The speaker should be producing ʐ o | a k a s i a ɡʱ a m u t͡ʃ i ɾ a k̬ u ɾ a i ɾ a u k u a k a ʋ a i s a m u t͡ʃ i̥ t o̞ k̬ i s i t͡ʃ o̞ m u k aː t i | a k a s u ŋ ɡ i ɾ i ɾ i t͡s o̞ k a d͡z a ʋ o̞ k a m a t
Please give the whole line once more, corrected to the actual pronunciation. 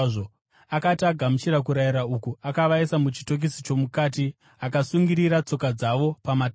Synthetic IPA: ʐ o | a k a t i a ɡʱ a m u t͡ʃ i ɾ a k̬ u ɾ a i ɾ a u k u a k a ʋ a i s a m u t͡ʃ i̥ t o̞ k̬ i s i t͡ʃ o̞ m u k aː t i | a k a s u ŋ ɡ i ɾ i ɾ a t͡s o̞ k a d͡z a ʋ o̞ p a m a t

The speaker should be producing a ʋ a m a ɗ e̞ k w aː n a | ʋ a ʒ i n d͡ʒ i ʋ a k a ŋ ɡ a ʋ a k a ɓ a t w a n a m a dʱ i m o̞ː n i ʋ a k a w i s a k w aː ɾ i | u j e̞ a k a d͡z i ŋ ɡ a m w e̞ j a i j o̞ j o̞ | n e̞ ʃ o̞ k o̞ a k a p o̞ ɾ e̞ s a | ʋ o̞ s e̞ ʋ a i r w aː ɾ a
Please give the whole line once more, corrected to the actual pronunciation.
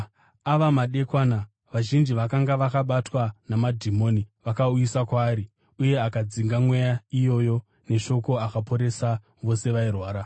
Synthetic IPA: a ʋ a m a ɗ e̞ k w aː n a | ʋ a ʒ i n d͡ʒ i ʋ a k a ŋ ɡ a ʋ a k a ɓ a t w a n a m a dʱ i m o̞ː n i ʋ a k a u i s a k w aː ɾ i | u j e̞ a k a d͡z i ŋ ɡ a m w e̞ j a i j o̞ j o̞ | n e̞ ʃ o̞ k o̞ a k a p o̞ ɾ e̞ s a | ʋ o̞ s e̞ ʋ a i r w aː ɾ a

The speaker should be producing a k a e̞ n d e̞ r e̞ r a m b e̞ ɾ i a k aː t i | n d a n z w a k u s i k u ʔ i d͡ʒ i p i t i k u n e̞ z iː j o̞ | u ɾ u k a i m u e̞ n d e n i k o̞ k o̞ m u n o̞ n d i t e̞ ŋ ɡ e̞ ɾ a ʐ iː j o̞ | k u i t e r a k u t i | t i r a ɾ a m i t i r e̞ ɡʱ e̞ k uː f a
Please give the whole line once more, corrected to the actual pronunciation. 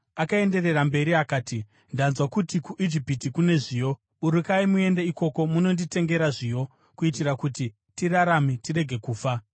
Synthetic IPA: a k a e̞ n d e̞ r e̞ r a m b e̞ ɾ i a k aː t i | n d a n z w a k u t i k u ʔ i d͡ʒ i p i t i k u n e̞ ʐ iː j o̞ | u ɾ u k a i m u e̞ n d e i k o̞ k o̞ m u n o̞ n d i t e̞ ŋ ɡ e̞ ɾ a ʐ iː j o̞ | k u i t i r a k u t i | t i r a ɾ a m i t i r e̞ ɡʱ e̞ k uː f a

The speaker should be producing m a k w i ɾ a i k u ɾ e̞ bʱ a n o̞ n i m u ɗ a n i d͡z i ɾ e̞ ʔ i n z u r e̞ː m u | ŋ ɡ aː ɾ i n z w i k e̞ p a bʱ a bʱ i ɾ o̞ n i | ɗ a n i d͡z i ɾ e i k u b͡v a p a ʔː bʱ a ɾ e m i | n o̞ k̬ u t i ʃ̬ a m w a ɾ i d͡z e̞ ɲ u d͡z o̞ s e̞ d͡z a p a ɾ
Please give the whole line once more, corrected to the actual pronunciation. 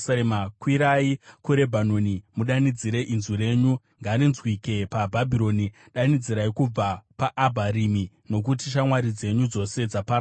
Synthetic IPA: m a k w i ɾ a i k u ɾ e̞ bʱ a n o̞ n i m u ɗ a n i d͡z i ɾ e̞ ʔ i n z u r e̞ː ɲ u | ŋ ɡ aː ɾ i n z w i k e̞ p a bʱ a bʱ i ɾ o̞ n i | ɗ a n i d͡z i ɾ a i k u b͡v a p a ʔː bʱ a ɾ i m i | n o̞ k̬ u t i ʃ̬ a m w a ɾ i d͡z e̞ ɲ u d͡z o̞ s e̞ d͡z a p a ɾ

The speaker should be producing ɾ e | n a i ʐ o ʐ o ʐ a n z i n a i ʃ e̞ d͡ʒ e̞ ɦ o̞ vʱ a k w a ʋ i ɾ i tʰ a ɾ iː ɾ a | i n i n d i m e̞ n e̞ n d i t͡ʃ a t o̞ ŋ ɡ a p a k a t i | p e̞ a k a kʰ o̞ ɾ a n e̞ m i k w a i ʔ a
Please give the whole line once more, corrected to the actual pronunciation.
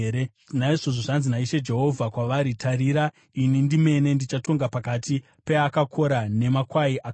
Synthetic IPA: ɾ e | n a i ʐ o ʐ o ʐ a n z i n a i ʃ e̞ d͡ʒ e̞ ɦ o̞ vʱ a k w a ʋ a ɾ i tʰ a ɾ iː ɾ a | i n i n d i m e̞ n e̞ n d i t͡ʃ a t o̞ ŋ ɡ a p a k a t i | p e̞ a k a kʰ o̞ ɾ a n e̞ m a k w a i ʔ a

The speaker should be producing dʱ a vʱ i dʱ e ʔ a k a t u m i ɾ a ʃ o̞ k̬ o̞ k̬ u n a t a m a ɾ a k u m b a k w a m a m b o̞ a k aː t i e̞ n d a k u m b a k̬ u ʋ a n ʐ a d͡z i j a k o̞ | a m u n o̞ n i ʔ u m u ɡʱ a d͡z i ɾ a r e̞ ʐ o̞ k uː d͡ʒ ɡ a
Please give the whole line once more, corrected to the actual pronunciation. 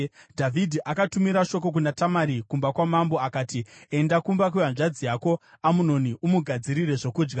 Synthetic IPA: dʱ a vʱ i dʱ i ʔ a k a t u m i ɾ a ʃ o̞ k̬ o̞ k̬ u n a t a m a ɾ i k u m b a k w a m a m b o̞ a k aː t i e̞ n d a k u m b a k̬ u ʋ a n ʐ a d͡z i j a k o̞ | a m u n o̞ n i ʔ u m u ɡʱ a d͡z i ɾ i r e̞ ʐ o̞ k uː d͡ʒ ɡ a

